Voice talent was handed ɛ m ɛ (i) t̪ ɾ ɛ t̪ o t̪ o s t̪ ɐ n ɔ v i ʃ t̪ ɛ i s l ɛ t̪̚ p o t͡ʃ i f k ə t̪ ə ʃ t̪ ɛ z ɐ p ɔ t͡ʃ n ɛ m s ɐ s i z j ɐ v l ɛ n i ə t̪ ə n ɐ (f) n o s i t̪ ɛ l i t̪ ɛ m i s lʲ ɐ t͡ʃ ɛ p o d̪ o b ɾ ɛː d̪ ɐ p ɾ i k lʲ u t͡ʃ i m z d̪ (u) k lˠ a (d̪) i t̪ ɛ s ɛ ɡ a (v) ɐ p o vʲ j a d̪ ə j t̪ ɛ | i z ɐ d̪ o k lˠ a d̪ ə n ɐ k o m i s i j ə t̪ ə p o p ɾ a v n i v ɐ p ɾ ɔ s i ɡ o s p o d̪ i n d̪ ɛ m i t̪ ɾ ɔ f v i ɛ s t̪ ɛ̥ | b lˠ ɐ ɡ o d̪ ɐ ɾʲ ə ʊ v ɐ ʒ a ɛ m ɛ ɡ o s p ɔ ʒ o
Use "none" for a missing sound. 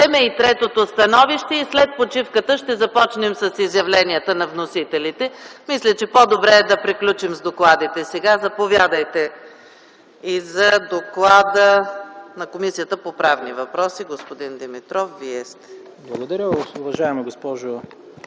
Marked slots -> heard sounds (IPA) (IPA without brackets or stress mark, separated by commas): i, v, o, d̪, z